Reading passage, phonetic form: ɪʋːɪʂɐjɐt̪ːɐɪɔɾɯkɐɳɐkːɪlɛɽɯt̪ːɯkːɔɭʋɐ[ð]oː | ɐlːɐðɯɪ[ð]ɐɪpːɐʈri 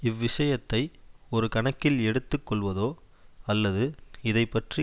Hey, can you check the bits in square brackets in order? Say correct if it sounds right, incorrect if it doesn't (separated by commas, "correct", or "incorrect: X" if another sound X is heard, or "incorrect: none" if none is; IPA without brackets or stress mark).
correct, correct